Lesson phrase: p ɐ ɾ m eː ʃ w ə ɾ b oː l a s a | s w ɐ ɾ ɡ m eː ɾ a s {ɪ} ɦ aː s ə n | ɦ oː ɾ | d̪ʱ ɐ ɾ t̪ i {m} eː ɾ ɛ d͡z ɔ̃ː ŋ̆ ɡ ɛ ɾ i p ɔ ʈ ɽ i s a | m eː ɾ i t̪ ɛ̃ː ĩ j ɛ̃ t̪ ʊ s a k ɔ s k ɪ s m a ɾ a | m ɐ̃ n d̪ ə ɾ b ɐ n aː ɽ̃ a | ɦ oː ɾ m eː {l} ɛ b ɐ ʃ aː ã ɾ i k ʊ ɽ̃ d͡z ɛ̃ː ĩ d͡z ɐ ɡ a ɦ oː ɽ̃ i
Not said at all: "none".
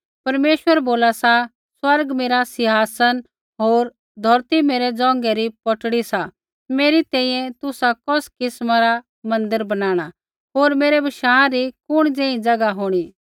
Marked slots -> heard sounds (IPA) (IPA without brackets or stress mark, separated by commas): ɪ, m, ɾ